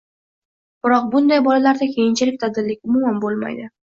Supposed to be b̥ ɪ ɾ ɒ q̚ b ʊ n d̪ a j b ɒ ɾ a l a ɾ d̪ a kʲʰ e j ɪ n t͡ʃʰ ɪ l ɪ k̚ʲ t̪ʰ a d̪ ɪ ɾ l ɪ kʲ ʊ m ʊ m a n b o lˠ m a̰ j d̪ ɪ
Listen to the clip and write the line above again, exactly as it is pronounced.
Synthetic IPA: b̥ ɪ ɾ ɒ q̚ b ʊ n d̪ a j b ɒ l a l a ɾ d̪ a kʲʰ e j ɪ n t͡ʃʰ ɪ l ɪ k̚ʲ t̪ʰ a d̪ ɪ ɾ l ɪ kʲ ʊ m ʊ m a n b o lˠ m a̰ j d̪ ɪ